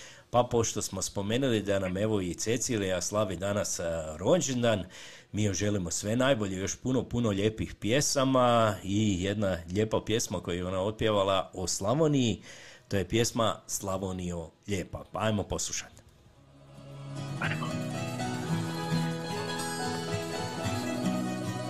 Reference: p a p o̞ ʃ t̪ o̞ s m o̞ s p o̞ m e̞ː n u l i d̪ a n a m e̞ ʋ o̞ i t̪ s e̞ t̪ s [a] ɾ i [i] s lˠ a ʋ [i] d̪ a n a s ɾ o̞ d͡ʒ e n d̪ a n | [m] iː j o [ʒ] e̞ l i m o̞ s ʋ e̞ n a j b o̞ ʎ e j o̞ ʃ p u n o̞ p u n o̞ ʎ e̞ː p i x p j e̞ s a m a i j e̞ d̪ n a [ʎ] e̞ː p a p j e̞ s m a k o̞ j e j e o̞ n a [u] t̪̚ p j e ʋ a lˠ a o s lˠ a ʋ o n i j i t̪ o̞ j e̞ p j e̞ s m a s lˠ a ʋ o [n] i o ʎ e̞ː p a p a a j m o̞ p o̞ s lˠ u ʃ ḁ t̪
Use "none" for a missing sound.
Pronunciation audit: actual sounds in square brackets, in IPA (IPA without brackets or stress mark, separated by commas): i, a, i, m, ʒ, ʎ, o, n